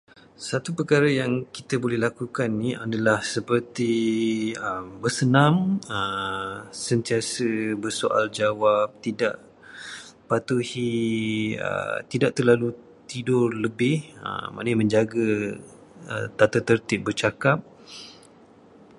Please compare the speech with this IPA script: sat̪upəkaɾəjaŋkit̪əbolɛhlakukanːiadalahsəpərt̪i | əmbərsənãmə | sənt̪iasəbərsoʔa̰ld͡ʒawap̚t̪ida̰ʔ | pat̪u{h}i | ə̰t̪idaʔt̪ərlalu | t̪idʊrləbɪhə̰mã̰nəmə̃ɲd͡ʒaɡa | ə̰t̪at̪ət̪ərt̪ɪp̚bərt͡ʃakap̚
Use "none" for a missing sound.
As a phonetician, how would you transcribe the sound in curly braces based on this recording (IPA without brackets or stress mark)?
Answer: h